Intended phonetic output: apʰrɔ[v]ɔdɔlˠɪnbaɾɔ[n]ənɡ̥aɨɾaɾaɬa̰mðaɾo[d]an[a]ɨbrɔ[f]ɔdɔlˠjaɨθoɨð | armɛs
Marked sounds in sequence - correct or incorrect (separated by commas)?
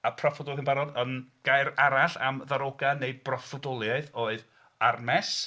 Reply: incorrect, incorrect, incorrect, incorrect, correct